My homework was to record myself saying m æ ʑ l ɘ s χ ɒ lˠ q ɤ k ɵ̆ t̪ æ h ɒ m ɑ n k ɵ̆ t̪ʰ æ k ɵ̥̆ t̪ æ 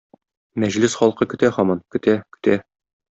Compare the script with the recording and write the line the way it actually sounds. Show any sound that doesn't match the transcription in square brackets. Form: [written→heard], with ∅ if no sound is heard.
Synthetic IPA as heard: m æ ʑ l ɘ s χ ɒ lˠ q ɤ k ɵ̆ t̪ æ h ɒ m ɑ n k ɵ̆ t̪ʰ æ k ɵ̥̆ t̪ æ